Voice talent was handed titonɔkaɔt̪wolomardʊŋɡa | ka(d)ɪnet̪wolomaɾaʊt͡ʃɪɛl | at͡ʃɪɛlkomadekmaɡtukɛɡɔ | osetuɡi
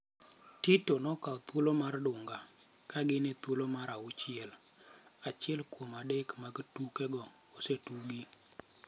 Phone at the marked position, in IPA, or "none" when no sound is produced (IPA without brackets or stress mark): ɡ